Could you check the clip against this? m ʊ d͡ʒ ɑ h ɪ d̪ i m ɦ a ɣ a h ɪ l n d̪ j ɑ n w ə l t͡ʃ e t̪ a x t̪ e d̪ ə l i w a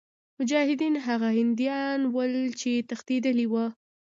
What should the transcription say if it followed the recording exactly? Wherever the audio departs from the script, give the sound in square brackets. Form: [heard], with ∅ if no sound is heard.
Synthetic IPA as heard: m ʊ d͡ʒ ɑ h ɪ d̪ i [n] ɦ a ɣ a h ɪ [∅] n d̪ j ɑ n w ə l t͡ʃ e t̪ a x t̪ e d̪ ə l i w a